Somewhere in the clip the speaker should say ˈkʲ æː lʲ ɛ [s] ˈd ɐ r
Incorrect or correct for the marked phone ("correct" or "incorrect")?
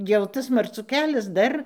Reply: correct